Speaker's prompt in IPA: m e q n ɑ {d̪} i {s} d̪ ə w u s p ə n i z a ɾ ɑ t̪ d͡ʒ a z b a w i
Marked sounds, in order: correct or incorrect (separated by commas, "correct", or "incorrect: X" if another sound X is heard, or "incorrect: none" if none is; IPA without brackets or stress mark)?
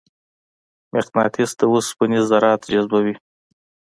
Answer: incorrect: t̪, correct